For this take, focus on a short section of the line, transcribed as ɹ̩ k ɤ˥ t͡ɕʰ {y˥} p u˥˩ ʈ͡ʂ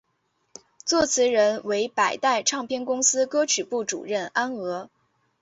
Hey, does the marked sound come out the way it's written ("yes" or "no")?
no